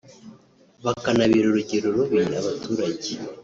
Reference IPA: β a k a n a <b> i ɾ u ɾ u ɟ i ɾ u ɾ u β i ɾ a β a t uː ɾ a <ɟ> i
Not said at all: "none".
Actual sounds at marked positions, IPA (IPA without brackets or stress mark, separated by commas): β, ɟ